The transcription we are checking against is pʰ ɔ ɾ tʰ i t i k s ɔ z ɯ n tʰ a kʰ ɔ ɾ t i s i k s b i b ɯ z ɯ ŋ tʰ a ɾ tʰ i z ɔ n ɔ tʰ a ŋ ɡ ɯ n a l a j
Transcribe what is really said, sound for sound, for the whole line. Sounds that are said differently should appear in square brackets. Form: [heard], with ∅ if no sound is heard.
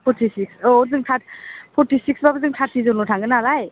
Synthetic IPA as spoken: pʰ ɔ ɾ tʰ i [s] i k s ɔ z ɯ [ŋ] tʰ a [pʰ] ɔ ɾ t i s i k s b [a] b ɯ z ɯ ŋ tʰ a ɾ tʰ i z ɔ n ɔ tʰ a ŋ ɡ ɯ n a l a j